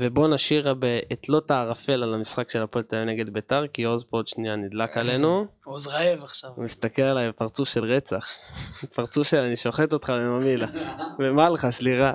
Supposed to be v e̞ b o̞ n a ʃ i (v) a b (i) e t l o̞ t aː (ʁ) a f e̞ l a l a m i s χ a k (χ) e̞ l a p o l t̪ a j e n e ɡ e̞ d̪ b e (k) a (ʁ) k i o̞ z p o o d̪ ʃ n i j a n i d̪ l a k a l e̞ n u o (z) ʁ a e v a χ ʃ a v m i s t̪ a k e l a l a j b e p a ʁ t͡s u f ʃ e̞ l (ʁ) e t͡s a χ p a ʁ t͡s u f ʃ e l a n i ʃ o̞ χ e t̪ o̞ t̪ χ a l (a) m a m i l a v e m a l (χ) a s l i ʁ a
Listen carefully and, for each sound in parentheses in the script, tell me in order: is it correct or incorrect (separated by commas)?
incorrect, incorrect, correct, incorrect, incorrect, correct, correct, correct, incorrect, correct